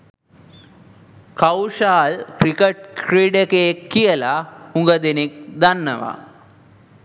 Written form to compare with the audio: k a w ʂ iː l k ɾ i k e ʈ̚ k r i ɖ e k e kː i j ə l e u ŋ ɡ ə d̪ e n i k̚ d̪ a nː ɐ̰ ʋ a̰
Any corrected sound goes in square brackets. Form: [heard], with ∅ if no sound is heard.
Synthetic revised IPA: k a w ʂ [aː] l k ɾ i k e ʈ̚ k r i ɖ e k e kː i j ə l [a] u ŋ ɡ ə d̪ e n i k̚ d̪ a nː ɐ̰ ʋ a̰